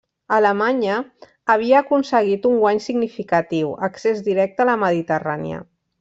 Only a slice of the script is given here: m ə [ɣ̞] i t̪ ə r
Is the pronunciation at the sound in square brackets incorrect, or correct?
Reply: incorrect